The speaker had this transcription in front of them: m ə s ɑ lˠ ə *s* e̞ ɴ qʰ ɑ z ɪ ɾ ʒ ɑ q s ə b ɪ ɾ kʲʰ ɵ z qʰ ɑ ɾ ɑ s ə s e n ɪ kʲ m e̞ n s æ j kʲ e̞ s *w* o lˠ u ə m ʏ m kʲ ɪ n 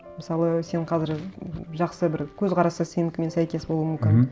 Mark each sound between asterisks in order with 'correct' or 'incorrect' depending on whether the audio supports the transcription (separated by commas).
correct, incorrect